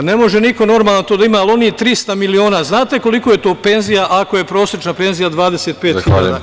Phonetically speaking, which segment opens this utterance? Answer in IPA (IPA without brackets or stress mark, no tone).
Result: n